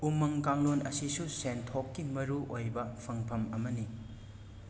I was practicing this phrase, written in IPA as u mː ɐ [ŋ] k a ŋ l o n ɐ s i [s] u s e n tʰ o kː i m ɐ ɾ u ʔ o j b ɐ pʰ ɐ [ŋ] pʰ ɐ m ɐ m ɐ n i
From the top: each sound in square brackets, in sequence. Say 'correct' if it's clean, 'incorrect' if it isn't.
correct, correct, correct

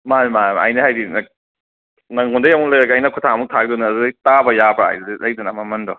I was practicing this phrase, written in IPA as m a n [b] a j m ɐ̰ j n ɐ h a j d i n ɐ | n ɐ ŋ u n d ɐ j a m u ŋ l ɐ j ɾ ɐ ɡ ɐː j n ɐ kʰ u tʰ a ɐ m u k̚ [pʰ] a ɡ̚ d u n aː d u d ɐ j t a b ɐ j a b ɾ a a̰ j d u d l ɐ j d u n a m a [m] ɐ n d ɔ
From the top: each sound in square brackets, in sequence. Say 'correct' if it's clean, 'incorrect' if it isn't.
incorrect, incorrect, correct

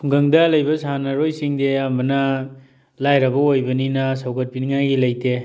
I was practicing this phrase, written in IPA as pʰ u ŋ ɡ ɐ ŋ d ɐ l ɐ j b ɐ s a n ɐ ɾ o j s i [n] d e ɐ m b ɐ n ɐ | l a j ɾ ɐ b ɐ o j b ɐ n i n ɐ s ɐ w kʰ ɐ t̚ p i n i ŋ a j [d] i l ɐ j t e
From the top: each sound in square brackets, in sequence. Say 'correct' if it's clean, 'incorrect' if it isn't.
incorrect, incorrect

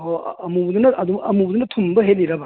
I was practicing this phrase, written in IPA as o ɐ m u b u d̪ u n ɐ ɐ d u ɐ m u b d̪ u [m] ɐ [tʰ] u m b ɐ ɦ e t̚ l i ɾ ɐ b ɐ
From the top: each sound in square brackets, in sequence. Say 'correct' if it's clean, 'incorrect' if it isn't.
incorrect, correct

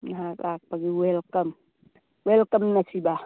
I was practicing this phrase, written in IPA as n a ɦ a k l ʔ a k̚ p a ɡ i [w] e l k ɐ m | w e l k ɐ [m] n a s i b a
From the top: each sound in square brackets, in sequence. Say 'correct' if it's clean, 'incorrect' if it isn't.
correct, correct

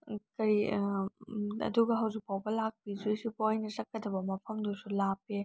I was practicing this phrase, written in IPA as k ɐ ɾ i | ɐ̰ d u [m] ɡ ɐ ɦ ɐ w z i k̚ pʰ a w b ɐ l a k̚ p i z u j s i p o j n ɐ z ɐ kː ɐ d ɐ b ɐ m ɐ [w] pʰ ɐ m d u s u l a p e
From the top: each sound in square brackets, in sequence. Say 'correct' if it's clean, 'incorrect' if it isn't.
incorrect, incorrect

